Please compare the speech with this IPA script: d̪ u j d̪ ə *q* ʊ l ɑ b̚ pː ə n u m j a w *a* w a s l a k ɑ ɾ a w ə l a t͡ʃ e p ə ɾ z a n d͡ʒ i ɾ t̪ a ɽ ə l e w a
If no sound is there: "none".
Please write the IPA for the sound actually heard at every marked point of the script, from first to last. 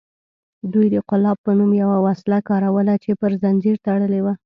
q, a

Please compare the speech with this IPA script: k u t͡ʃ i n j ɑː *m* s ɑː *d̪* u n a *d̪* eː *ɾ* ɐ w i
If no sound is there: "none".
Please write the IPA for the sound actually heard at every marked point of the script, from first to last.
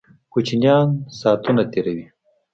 n, t̪, t̪, ɾ

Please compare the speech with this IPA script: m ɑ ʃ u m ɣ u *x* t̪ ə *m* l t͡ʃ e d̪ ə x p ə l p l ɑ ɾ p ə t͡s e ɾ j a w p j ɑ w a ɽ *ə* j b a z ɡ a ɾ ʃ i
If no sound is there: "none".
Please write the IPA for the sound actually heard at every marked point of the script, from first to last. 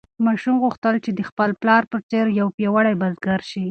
x, none, a

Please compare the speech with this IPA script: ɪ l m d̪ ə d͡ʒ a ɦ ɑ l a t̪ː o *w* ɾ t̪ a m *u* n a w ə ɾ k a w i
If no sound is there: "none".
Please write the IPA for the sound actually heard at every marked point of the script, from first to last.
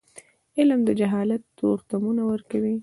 none, u

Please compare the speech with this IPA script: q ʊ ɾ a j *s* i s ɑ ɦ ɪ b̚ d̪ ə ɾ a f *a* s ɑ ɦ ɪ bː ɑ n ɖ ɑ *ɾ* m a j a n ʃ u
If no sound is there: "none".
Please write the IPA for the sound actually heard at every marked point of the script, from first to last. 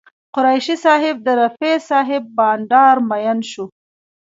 ʃ, e, ɾ

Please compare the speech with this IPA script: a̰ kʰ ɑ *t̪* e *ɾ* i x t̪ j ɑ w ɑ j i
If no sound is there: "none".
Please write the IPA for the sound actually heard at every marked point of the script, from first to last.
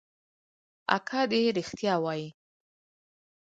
d̪, ɾ

